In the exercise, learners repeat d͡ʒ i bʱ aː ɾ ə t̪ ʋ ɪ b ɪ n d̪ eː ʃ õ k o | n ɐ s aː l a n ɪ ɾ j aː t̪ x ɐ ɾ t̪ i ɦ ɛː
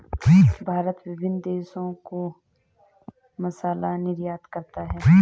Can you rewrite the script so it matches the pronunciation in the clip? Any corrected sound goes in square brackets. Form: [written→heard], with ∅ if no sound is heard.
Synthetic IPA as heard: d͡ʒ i bʱ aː ɾ ə t̪ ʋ ɪ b ɪ n d̪ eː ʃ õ k o | [n→m] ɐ s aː l a n ɪ ɾ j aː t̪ [x→k] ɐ ɾ t̪ [i→a] ɦ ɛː

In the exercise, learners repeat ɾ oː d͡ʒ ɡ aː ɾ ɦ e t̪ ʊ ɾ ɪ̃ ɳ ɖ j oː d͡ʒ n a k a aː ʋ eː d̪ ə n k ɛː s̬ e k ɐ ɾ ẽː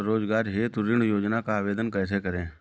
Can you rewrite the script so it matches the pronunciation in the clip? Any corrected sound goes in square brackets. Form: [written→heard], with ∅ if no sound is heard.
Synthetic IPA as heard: ɾ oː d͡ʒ ɡ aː ɾ ɦ e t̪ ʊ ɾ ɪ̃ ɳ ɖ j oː d͡ʒ n a k a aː ʋ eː d̪ ə n k ɛː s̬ e k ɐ ɾ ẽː

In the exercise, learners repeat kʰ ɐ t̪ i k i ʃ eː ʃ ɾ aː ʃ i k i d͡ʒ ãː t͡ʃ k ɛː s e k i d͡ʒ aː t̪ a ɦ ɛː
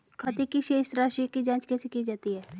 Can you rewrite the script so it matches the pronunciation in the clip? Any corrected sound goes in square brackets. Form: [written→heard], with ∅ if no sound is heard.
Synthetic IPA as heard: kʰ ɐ t̪ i k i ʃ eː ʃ ɾ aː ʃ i k i d͡ʒ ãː t͡ʃ k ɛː s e k i d͡ʒ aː t̪ [a→i] ɦ ɛː

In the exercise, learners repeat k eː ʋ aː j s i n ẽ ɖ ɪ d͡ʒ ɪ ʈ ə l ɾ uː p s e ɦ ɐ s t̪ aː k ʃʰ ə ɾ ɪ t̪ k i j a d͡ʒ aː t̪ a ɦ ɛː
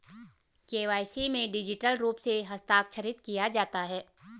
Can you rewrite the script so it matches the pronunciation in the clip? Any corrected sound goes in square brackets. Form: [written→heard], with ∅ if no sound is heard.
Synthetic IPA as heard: k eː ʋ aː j s i [n→m] ẽ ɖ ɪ d͡ʒ ɪ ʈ ə l ɾ uː p s e ɦ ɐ s t̪ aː k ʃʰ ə ɾ ɪ t̪ k i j a d͡ʒ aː t̪ a ɦ ɛː

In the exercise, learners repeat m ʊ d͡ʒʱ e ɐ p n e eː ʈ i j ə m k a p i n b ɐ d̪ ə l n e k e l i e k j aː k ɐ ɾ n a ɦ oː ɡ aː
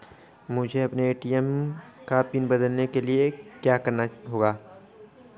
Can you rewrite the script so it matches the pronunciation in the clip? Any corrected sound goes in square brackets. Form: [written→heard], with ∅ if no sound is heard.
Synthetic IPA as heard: m ʊ d͡ʒʱ e ɐ p n e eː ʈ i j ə m k a p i n b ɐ d̪ ə l n e k e l i e k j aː k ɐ ɾ n a ɦ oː ɡ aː

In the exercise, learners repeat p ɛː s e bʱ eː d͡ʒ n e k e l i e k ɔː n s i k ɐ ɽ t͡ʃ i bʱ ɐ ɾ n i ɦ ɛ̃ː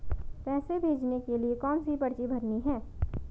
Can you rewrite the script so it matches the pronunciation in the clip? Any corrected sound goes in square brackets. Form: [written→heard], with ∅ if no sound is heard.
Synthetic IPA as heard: p ɛː s e bʱ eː d͡ʒ n e k e l i e k ɔː n s i [k→p] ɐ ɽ t͡ʃ i bʱ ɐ ɾ n i ɦ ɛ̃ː

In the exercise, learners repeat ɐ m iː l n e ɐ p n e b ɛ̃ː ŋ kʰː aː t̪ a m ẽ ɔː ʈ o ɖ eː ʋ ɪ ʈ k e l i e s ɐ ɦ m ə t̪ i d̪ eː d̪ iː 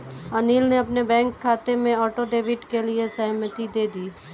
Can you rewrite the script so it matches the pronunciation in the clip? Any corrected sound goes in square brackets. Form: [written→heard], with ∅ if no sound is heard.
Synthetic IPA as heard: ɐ [m→n] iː l n e ɐ p n e b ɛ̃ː ŋ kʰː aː t̪ [a→e] m ẽ ɔː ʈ o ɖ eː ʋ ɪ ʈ k e l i e s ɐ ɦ m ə t̪ i d̪ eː d̪ iː

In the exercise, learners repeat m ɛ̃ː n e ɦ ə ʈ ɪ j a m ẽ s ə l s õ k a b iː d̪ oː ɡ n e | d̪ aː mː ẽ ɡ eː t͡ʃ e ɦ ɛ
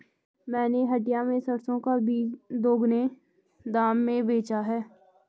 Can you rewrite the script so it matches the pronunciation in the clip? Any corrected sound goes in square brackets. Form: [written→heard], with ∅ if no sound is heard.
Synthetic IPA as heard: m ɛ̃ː n e ɦ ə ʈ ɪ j a m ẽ s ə [l→ɾ] s õ k a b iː d̪ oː ɡ n e | d̪ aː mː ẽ [ɡ→b] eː t͡ʃ [e→a] ɦ [ɛ→ɛː]

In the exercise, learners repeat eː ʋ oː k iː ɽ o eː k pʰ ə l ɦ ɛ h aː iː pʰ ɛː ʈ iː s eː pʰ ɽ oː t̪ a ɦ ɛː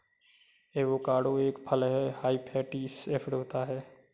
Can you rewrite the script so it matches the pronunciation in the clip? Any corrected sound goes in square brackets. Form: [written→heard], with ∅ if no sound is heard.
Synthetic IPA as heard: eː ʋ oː k [iː→aː] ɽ o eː k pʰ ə l ɦ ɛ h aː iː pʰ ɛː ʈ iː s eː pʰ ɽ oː t̪ a ɦ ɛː

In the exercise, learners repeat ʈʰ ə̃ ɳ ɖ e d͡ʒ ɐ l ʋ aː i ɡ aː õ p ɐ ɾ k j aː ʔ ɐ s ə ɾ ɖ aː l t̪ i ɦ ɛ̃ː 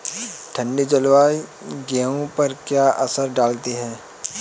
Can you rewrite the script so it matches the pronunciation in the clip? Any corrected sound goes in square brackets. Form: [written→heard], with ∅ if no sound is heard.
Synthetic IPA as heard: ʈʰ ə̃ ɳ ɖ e d͡ʒ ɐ l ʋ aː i ɡ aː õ p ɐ ɾ k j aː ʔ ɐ s ə ɾ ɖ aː l t̪ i ɦ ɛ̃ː

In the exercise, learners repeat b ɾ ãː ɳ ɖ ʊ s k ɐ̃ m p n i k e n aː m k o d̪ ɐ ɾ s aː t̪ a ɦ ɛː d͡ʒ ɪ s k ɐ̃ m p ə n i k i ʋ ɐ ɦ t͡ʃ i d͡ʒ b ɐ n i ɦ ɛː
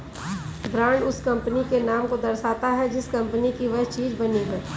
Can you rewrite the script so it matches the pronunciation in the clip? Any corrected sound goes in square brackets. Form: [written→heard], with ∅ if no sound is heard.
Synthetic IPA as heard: b ɾ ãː ɳ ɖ ʊ s k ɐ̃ m p n i k e n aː m k o d̪ ɐ ɾ s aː t̪ a ɦ [ɛː→ɛ] d͡ʒ ɪ s k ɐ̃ m p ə n i k i ʋ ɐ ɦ t͡ʃ [i→iː] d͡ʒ b ɐ n i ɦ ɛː

